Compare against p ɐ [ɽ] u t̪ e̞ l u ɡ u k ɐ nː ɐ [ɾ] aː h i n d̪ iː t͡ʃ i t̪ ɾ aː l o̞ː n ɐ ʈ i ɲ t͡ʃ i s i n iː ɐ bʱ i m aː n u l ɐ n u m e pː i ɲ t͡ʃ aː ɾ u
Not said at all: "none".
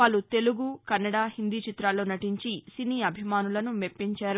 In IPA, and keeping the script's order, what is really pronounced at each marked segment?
l, ɽ

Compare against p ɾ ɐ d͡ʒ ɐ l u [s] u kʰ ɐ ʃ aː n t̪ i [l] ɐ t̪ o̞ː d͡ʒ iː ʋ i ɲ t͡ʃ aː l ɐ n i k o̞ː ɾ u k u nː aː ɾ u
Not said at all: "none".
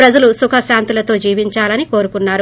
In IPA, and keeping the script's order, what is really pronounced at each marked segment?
s, l

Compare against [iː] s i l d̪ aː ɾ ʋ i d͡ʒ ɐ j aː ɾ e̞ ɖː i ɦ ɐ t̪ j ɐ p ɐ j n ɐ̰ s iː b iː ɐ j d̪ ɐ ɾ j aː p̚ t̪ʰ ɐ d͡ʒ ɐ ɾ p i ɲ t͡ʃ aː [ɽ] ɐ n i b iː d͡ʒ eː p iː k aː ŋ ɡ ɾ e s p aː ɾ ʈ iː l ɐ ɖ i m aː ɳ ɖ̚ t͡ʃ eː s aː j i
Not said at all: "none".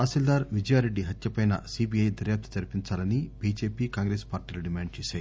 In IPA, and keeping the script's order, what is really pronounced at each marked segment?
aː, l

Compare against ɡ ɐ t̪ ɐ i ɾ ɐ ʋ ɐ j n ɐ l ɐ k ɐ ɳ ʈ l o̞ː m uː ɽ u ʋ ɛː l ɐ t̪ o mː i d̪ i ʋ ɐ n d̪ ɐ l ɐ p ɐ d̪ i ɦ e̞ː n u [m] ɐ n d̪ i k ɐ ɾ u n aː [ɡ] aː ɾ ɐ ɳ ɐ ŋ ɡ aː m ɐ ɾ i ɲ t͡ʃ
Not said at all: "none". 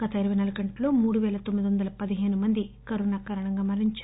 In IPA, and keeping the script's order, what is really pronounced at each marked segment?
m, k

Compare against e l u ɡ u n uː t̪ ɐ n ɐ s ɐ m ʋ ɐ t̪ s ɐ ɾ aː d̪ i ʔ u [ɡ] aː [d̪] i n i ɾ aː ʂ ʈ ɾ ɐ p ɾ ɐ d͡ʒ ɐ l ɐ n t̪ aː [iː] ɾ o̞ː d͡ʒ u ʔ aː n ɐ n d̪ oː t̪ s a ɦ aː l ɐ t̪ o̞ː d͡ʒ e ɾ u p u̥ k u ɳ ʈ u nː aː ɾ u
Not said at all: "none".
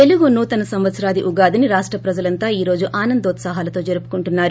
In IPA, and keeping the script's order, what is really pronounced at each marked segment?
ɡ, d̪, iː

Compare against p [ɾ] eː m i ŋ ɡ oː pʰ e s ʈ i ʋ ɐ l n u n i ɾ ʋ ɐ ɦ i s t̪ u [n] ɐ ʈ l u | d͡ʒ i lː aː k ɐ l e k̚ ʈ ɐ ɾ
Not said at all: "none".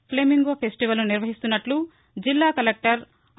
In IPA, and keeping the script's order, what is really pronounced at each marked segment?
l, nː

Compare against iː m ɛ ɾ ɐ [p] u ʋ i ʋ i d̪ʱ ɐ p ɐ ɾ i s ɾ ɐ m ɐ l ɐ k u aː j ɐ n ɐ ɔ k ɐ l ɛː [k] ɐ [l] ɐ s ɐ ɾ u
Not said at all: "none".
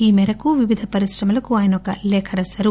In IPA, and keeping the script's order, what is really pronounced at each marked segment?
k, kʰ, ɾ

